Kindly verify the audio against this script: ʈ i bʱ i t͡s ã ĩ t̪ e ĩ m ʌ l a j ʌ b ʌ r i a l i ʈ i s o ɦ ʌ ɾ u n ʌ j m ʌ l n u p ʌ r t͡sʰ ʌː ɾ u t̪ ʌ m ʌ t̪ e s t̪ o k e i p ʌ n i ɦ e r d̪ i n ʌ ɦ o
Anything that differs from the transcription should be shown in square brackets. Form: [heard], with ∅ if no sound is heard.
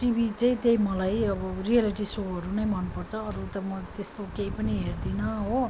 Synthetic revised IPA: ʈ i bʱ i t͡s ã ĩ t̪ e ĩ m ʌ l a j ʌ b ʌ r i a l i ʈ i s o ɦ ʌ ɾ u n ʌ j m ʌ [∅] n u p ʌ r t͡sʰ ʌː ɾ u t̪ ʌ m ʌ t̪ e s t̪ o k e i p ʌ n i ɦ e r d̪ i n ʌ ɦ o